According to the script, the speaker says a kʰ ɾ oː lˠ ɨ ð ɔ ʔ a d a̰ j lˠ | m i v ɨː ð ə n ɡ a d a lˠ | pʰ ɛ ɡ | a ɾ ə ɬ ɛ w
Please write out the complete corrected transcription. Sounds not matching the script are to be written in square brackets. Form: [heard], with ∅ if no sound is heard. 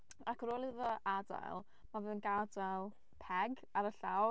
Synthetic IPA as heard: a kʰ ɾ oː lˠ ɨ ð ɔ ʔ a d a̰ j lˠ | m [a] v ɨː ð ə n ɡ a d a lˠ | pʰ ɛ ɡ | a ɾ ə ɬ [a] w

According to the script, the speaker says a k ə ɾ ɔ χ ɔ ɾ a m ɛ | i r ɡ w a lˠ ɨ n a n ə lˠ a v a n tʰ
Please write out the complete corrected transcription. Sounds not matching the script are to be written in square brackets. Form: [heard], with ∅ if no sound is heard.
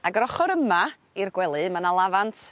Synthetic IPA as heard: a [ɡ] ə ɾ ɔ χ ɔ ɾ [ə] m [a] | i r ɡ w [ɛ] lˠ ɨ [m] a n [a] lˠ a v a n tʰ

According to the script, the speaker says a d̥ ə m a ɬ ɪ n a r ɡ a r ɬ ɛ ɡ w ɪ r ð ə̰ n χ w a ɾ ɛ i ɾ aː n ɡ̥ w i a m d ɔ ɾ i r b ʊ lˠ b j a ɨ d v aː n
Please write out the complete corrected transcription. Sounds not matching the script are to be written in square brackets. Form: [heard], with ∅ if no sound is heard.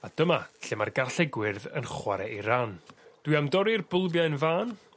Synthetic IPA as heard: a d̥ ə m a ɬ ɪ [m] a r ɡ a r ɬ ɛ ɡ w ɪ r ð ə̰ n χ w a ɾ ɛ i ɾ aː n [d̥] w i a m d ɔ ɾ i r b ʊ lˠ b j a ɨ [n] v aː n

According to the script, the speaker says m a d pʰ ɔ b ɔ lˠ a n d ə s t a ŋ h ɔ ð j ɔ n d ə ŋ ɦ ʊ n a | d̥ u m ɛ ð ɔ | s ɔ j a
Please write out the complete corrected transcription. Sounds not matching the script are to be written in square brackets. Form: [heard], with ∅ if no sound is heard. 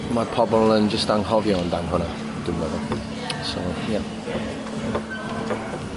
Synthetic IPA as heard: m a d pʰ ɔ b ɔ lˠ [ə] n [d͡ʒ] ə s t a ŋ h ɔ [v] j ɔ n d [a] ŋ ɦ ʊ n a | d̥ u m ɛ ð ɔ | s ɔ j a

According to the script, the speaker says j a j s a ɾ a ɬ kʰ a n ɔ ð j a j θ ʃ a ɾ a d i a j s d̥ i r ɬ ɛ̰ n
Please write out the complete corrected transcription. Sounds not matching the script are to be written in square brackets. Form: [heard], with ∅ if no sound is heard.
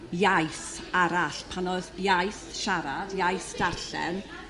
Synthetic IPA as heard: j a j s a ɾ a ɬ [pʰ] a n ɔ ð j a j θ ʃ a ɾ a d [j] a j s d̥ [a] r ɬ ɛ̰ n

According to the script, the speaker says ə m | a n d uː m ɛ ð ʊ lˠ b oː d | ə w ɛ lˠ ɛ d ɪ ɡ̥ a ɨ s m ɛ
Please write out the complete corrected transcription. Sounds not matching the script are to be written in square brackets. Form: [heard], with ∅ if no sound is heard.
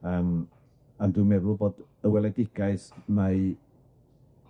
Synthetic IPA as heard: ə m | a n d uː m ɛ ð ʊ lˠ b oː d | ə w ɛ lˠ ɛ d ɪ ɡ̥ a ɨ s m [a]

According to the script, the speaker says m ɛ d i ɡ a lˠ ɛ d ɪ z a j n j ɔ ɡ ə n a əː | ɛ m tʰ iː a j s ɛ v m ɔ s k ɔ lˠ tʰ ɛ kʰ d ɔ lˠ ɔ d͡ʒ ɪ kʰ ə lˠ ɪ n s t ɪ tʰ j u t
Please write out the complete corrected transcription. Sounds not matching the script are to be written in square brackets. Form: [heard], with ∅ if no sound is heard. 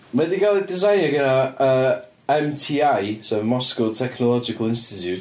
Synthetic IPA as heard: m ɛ d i ɡ a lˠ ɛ d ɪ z a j n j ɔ ɡ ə n a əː | ɛ m tʰ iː a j s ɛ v m ɔ s k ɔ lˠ tʰ ɛ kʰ [n] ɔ lˠ ɔ d͡ʒ ɪ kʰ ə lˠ ɪ n s t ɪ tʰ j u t

